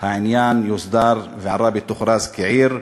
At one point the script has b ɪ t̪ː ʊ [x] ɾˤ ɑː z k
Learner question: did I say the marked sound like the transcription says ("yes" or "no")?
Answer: yes